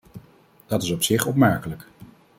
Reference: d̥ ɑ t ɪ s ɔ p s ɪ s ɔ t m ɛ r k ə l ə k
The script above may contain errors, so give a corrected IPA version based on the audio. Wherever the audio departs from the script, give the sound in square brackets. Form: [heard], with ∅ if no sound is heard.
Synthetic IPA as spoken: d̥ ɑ t ɪ s ɔ p s ɪ [χ] ɔ [p] m ɛ [ɹ] k ə l ə k